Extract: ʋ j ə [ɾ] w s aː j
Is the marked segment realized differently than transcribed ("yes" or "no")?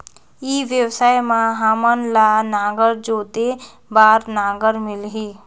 yes